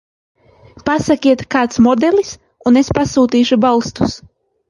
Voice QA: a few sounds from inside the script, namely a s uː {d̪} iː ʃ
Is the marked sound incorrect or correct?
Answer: incorrect